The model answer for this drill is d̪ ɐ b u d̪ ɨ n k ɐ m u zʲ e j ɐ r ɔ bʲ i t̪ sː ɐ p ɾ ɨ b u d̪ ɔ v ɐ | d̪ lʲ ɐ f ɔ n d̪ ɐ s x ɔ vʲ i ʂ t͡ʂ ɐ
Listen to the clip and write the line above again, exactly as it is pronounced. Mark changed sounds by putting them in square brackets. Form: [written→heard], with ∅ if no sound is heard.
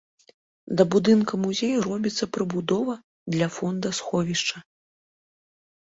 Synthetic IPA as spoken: d̪ ɐ b u d̪ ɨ n k ɐ m u zʲ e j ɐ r ɔ bʲ i t̪ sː ɐ p ɾ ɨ b u d̪ ɔ v ɐ | d̪ lʲ ɐ f ɔ n d̪ ɐ s x ɔ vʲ i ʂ t͡ʂ ɐ